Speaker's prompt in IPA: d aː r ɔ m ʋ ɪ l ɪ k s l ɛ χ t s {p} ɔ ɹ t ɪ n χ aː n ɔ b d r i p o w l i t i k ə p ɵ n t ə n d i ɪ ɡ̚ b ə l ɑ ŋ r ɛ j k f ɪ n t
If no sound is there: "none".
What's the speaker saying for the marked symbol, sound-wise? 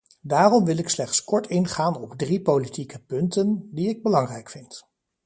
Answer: k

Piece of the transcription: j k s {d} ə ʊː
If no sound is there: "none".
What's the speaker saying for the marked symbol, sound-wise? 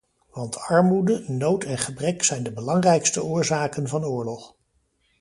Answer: t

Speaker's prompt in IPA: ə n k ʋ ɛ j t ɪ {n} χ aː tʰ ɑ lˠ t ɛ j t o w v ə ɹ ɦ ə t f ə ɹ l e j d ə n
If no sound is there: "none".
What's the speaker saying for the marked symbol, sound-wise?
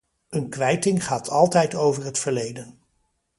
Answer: ŋ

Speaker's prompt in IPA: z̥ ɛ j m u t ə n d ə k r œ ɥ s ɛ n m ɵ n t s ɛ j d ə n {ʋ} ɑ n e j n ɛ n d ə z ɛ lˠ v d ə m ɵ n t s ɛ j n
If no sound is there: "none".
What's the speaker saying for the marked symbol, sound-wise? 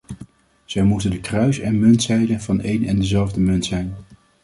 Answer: v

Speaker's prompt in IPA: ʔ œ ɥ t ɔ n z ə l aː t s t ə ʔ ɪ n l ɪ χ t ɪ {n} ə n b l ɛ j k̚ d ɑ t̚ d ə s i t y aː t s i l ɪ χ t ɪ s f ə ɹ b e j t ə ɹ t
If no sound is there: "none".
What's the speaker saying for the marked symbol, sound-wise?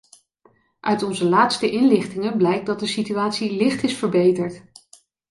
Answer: ŋ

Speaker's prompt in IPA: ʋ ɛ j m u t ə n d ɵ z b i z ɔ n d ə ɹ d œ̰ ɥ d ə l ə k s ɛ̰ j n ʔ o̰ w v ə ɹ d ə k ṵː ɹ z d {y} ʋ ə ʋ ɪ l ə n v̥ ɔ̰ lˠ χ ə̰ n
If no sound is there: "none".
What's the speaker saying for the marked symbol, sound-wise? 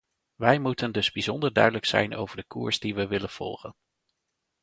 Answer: i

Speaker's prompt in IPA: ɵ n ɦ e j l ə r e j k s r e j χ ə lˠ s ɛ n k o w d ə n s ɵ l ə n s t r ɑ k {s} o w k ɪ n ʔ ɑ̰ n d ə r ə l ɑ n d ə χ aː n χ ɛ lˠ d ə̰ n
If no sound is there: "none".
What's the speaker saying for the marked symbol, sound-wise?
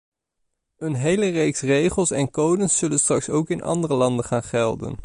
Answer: s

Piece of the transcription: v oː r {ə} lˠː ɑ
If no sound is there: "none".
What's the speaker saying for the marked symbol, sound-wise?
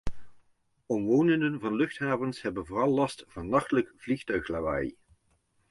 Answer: ɑ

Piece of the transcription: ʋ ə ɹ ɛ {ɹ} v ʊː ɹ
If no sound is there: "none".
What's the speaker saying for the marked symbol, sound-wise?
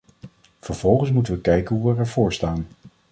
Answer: ɹ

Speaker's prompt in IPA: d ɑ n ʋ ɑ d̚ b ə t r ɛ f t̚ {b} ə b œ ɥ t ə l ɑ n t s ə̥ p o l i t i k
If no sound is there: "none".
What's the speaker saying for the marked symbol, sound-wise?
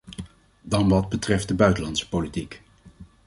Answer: d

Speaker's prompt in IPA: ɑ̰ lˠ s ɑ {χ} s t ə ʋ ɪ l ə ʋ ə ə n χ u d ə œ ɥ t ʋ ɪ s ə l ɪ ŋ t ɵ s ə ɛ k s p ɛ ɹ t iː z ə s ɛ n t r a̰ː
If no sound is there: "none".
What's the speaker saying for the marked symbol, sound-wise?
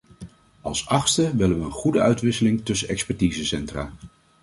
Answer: χ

